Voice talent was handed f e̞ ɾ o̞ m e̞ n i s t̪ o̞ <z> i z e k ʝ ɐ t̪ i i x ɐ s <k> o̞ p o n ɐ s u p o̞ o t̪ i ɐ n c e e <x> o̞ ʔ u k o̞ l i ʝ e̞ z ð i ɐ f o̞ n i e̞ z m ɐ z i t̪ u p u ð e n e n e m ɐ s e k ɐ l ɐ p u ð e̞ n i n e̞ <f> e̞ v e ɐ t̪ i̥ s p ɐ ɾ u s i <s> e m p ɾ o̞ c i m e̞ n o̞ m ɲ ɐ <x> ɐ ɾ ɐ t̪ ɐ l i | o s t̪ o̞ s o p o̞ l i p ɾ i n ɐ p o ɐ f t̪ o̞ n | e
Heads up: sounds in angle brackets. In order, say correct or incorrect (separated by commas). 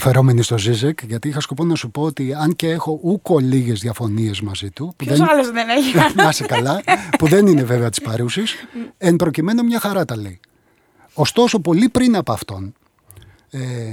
correct, correct, correct, incorrect, correct, correct